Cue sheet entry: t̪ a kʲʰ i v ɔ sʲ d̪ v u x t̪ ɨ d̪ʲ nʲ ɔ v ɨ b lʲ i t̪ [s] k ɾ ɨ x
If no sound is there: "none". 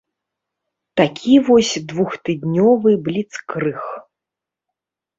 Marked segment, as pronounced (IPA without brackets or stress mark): s